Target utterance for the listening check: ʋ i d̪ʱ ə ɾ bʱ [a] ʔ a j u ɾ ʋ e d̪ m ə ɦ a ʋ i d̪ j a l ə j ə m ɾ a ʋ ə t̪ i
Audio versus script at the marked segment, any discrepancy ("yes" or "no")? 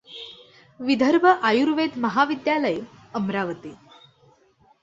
yes